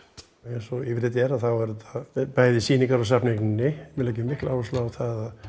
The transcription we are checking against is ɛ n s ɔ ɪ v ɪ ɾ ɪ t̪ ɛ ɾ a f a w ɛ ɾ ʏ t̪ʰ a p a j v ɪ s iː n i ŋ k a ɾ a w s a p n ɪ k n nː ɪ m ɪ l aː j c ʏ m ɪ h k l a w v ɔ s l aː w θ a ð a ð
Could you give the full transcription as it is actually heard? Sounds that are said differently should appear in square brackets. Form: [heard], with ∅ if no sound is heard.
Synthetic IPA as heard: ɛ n s ɔ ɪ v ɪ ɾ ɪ t̪ ɛ ɾ a [θ] a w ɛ ɾ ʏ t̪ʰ a p a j [ð] ɪ s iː n i ŋ k a ɾ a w s a p n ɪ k n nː ɪ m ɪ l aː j c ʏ m ɪ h k l a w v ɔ s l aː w θ a ð a ð